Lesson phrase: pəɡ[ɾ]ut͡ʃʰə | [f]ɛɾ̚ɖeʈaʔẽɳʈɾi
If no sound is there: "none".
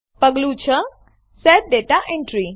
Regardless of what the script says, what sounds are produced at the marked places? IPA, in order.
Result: l, s

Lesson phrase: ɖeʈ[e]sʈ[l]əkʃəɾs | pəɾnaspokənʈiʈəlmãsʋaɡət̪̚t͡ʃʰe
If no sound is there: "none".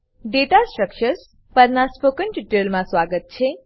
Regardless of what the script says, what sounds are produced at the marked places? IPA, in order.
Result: a, ɾ

